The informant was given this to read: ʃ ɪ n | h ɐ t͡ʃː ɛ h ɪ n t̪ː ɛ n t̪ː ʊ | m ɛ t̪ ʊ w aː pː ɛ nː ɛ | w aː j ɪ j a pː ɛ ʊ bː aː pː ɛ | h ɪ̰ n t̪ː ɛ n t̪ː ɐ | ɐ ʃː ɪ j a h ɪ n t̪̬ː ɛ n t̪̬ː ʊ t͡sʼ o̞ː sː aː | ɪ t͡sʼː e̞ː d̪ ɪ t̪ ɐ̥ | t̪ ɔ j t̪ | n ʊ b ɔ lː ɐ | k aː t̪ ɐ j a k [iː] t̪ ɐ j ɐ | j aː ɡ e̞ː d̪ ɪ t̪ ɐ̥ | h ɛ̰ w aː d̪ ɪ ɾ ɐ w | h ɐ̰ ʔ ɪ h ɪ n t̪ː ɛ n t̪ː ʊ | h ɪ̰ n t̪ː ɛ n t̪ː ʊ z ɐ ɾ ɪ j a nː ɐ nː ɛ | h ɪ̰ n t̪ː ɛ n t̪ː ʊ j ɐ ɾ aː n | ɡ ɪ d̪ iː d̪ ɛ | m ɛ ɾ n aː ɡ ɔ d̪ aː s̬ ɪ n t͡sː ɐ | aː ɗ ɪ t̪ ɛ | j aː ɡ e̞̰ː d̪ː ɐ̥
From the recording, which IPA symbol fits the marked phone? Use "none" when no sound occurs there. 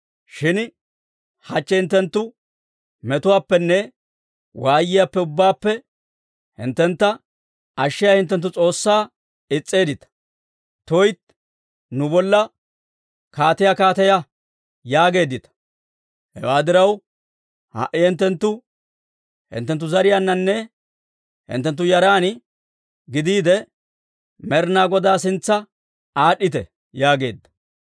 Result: aː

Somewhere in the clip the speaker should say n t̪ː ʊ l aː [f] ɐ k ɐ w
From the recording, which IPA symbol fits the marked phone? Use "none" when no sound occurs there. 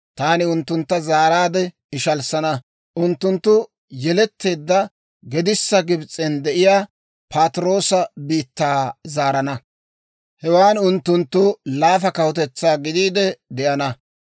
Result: f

